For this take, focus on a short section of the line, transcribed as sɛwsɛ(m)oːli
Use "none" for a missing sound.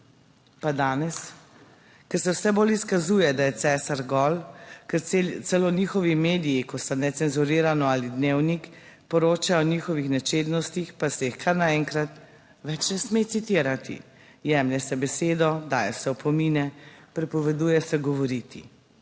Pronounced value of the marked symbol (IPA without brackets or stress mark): b